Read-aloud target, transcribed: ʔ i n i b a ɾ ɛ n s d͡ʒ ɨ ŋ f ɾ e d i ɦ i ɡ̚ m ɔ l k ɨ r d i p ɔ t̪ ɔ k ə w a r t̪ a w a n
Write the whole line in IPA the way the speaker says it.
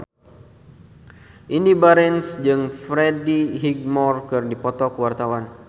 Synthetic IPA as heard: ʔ i n i b a ɾ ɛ n s d͡ʒ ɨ ŋ f ɾ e d i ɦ i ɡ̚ m ɔ r k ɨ r d i p ɔ t̪ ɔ k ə w a r t̪ a w a n